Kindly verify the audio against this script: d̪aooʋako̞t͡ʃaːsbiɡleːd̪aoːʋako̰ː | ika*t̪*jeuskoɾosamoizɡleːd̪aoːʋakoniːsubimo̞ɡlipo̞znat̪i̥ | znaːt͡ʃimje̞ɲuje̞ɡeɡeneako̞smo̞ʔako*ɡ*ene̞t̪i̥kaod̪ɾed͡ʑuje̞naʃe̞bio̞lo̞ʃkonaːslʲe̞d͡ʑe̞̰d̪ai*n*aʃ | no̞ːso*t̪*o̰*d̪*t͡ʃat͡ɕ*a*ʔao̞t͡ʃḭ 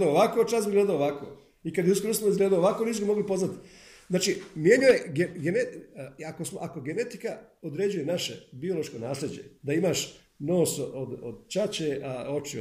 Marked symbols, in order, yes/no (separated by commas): no, yes, no, no, yes, no